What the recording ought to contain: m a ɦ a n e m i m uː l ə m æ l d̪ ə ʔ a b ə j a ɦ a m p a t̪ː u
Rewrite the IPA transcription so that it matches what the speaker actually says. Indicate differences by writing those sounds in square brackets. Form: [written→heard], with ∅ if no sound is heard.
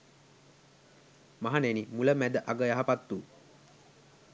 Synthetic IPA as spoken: m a ɦ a n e [m→n] i m [uː→u] l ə m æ [l→∅] d̪ ə ʔ a [b→ɡ] ə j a ɦ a [m→∅] p a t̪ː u

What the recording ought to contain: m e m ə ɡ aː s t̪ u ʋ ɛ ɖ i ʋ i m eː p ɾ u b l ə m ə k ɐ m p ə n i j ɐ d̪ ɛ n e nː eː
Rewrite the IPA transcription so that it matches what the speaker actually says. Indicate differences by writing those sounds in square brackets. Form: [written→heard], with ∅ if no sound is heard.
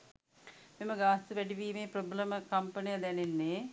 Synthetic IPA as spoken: m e m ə ɡ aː s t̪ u ʋ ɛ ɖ i ʋ [i→iː] m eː p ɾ [u→o] b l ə m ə k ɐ m p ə n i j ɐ d̪ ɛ n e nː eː

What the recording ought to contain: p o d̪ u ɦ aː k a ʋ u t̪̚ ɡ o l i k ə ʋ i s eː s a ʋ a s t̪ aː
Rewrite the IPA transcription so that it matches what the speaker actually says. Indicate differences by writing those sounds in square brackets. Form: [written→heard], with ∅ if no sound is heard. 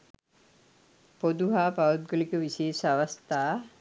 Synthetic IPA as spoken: p o d̪ u ɦ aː [k→p] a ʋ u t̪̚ ɡ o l i k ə ʋ i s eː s a ʋ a s t̪ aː

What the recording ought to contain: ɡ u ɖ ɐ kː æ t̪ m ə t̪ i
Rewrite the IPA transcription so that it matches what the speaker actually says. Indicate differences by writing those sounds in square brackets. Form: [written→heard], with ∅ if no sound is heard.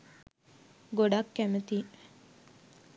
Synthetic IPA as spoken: ɡ [u→o] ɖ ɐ kː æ [t̪→∅] m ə t̪ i

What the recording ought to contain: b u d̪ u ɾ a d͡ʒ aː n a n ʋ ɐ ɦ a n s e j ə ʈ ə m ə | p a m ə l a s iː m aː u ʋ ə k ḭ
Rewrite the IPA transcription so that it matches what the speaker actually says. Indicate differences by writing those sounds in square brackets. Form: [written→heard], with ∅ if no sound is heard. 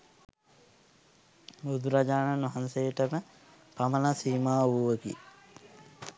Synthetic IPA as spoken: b u d̪ u ɾ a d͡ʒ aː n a n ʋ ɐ ɦ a n s e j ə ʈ ə m ə | p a m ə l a s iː m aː u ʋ ə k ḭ

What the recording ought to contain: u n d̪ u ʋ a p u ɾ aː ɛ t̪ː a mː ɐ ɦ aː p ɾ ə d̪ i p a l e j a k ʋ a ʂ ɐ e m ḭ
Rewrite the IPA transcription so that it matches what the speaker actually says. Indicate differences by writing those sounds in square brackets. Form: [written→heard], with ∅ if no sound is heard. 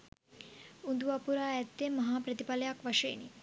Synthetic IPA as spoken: u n d̪ u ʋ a p u ɾ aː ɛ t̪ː [a→e] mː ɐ ɦ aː p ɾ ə [d̪→t̪] i p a l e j a k ʋ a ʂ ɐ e [m→n] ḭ

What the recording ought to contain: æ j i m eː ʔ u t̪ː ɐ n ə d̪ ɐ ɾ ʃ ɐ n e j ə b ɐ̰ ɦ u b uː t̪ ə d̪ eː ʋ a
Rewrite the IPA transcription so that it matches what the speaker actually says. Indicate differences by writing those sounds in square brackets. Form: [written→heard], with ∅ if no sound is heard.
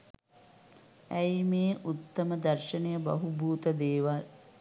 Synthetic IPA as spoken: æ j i m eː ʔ u t̪ː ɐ [n→m] ə d̪ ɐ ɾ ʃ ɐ n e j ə b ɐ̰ ɦ u b uː t̪ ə d̪ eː ʋ a

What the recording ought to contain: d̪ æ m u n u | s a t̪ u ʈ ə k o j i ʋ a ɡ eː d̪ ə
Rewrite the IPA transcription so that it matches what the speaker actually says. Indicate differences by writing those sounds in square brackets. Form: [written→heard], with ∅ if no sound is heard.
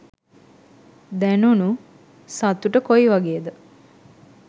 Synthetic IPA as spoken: d̪ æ [m→n] u n u | s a t̪ u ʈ ə k o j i ʋ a ɡ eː d̪ ə

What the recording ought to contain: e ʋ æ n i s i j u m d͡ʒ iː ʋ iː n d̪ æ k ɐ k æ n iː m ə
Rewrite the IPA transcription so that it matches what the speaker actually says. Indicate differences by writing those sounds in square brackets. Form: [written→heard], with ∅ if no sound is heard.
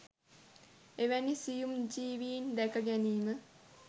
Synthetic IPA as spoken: e ʋ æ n i s i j u m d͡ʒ iː ʋ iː n d̪ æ k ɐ [k→ɡ] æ n iː m ə

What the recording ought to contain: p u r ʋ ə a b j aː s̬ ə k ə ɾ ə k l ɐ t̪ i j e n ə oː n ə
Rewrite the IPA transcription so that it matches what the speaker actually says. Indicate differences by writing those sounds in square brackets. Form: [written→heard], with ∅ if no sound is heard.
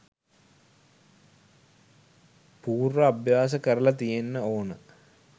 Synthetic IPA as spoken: p [u→uː] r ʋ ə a b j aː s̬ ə k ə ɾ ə [k→∅] l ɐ t̪ i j e [n→nː] ə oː n ə

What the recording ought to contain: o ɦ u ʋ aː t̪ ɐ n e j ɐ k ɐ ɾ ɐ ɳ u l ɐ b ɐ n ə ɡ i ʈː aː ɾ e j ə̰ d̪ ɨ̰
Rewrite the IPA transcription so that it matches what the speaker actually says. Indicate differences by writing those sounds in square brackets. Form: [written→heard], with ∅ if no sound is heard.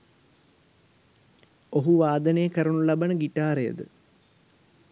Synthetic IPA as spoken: o ɦ u ʋ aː [t̪→d̪] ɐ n e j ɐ k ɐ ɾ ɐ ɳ u l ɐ b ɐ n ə ɡ i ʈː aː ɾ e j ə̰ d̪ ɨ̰

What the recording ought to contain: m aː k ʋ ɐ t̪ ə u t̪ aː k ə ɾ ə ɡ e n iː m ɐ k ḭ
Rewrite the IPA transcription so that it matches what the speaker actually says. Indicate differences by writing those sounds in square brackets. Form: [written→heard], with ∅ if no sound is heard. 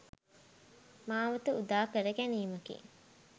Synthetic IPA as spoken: m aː [k→∅] ʋ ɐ t̪ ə u [t̪→d̪] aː k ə ɾ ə ɡ [e→æ] n iː m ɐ k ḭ

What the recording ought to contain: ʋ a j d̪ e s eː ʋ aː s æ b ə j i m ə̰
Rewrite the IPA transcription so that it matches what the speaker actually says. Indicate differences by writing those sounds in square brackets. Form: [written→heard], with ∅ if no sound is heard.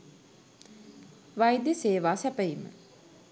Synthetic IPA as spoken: ʋ a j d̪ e s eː ʋ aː s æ [b→p] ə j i m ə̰

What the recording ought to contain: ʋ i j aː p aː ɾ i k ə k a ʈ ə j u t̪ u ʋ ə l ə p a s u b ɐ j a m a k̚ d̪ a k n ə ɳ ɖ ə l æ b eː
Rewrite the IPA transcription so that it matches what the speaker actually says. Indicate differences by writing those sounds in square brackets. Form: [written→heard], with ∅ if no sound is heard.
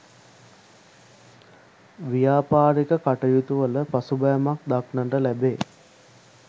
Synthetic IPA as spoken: ʋ i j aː p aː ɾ i k ə k a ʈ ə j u t̪ u ʋ ə l ə p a s u b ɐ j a m a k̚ d̪ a k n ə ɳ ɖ ə l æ b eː

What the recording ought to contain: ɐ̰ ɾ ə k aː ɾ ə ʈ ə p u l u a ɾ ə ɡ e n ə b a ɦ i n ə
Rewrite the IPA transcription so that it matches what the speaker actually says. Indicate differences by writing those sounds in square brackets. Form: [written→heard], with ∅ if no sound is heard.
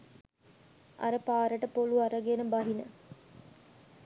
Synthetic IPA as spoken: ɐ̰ ɾ ə [k→p] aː ɾ ə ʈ ə p [u→o] l u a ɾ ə ɡ e n ə b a ɦ i n ə

